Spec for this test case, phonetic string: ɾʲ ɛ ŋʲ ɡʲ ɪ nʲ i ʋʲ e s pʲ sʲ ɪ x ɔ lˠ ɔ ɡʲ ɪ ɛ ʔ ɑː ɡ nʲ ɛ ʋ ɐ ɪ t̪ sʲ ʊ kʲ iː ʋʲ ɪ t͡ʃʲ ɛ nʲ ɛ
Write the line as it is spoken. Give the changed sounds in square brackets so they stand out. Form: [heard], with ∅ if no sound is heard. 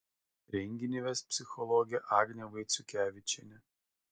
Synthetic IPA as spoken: ɾʲ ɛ ŋʲ ɡʲ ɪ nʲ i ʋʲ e s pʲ sʲ ɪ x ɔ lˠ ɔ ɡʲ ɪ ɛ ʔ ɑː ɡ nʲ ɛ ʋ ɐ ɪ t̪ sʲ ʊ kʲ [æː] ʋʲ ɪ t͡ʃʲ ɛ nʲ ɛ